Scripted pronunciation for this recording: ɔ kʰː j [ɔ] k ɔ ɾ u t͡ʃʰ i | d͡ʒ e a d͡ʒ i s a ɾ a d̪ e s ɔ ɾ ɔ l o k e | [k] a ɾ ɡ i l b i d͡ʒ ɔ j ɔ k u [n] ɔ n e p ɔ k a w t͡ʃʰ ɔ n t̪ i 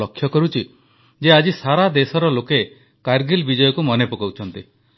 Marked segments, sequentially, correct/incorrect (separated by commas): correct, correct, incorrect